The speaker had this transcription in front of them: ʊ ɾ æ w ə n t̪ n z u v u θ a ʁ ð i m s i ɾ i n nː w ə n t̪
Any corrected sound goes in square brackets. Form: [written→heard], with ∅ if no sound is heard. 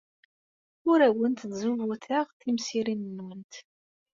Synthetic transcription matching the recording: ʊ ɾ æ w ə n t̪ n z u v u θ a ʁ [ð→θ] i m s i ɾ i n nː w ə n t̪